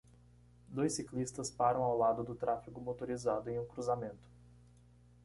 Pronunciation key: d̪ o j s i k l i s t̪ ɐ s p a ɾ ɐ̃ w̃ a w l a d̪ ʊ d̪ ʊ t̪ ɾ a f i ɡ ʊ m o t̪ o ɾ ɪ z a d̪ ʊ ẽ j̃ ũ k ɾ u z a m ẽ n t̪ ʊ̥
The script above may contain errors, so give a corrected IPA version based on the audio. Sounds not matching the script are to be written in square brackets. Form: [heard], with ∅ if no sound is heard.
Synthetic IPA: d̪ o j s i k l i s t̪ ɐ s p a ɾ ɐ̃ w̃ a w l a d̪ ʊ d̪ ʊ t̪ ɾ a f i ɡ ʊ m o t̪ o ɾ [i] z a d̪ ʊ ẽ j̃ ũ k ɾ u z a m ẽ n t̪ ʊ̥